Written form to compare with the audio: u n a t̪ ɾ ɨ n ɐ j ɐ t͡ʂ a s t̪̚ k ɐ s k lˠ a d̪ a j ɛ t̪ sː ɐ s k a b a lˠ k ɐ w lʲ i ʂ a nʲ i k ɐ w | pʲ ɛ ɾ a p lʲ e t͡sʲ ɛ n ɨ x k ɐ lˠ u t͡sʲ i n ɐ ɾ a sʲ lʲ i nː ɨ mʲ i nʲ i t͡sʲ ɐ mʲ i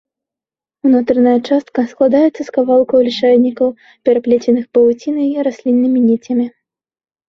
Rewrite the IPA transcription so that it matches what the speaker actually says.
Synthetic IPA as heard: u n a t̪ ɾ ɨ n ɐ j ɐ t͡ʂ a s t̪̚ k ɐ s k lˠ a d̪ a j ɛ t̪ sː ɐ s k a v a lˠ k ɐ w lʲ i ʂ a nʲ i k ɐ w | pʲ ɛ ɾ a p lʲ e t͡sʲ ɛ n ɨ x p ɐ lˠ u t͡sʲ i n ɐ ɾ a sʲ lʲ i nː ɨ mʲ i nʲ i t͡sʲ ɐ mʲ i